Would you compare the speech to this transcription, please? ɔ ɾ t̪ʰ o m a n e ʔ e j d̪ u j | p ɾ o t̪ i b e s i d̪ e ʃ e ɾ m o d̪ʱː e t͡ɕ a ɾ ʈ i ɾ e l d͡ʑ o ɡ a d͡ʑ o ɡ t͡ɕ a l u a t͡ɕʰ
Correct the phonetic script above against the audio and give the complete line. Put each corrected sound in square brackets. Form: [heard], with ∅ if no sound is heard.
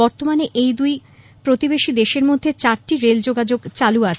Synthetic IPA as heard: ɔ ɾ [t̪] o m a n e ʔ e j d̪ u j | p ɾ o t̪ i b e [ʃ] i d̪ e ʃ e ɾ m o d̪ʱː e t͡ɕ a ɾ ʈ i ɾ e l d͡ʑ o ɡ a d͡ʑ o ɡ t͡ɕ a l u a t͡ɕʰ